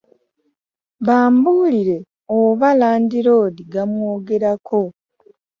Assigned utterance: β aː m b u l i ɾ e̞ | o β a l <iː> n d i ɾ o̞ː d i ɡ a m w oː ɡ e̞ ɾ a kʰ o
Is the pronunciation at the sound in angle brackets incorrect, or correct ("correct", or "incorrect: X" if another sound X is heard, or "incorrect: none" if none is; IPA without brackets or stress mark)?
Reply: incorrect: aː